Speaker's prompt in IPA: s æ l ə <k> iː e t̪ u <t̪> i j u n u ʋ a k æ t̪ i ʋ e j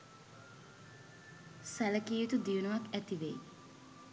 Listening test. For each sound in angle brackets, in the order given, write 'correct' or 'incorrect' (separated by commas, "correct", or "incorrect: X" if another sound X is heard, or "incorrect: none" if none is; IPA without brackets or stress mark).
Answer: correct, incorrect: d̪